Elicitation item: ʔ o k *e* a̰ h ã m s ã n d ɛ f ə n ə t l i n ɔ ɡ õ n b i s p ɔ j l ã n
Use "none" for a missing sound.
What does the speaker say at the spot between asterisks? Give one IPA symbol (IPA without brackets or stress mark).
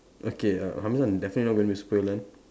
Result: e